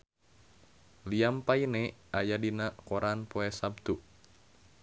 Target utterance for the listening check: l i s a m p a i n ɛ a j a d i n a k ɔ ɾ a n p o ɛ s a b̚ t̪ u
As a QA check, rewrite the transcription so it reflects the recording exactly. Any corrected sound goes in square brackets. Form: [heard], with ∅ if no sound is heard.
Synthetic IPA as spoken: l i [∅] a m p a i n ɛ a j a d i n a k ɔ ɾ a n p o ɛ s a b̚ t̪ u